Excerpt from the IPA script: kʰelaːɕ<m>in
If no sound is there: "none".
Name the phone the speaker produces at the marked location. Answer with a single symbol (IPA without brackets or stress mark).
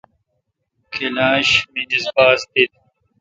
m